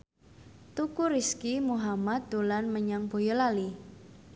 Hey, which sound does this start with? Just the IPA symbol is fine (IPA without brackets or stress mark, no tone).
t̪